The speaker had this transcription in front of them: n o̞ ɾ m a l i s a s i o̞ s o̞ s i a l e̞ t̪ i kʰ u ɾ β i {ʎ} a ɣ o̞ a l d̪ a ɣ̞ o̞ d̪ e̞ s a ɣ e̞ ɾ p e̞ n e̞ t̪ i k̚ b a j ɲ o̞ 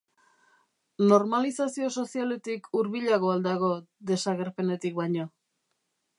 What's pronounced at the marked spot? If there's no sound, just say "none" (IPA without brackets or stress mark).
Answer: ʎ